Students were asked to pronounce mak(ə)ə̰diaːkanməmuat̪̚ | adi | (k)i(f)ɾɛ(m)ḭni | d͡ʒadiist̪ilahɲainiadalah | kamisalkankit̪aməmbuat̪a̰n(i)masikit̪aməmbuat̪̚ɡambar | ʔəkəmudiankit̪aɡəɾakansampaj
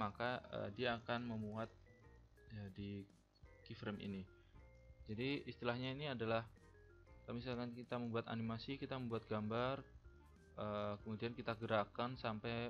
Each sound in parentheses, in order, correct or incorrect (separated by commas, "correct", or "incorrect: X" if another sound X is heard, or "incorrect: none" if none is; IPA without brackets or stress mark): incorrect: a, correct, correct, correct, correct